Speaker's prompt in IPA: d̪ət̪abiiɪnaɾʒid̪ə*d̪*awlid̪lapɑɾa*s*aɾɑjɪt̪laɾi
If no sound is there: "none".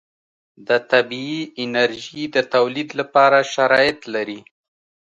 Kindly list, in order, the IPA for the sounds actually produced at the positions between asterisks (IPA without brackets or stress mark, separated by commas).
t̪, ʃ